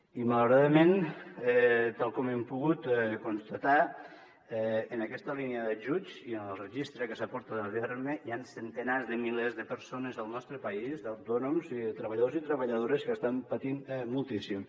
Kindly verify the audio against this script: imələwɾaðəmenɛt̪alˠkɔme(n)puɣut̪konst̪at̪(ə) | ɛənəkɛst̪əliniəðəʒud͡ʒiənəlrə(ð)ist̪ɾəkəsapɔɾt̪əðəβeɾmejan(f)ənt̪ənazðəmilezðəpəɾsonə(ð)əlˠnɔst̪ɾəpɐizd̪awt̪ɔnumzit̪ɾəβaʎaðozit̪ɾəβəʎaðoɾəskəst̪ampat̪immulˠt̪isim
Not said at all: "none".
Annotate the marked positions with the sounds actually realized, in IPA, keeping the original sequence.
m, a, ʒ, s, z

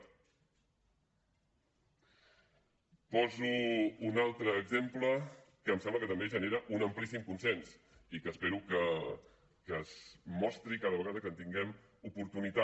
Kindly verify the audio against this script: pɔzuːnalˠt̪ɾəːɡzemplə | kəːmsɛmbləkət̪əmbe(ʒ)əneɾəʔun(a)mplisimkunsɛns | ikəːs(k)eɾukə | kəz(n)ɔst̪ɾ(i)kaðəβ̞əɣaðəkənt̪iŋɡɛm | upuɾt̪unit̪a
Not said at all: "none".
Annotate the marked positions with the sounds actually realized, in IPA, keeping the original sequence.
ʒ, ə, p, m, i

